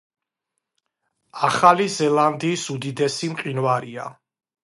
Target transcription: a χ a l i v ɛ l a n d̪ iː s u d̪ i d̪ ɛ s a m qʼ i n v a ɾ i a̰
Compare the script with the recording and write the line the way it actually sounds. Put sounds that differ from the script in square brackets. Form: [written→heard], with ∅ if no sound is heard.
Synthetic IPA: a χ a l i [v→z] ɛ l a n d̪ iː s u d̪ i d̪ ɛ s [a→i] m qʼ i n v a ɾ i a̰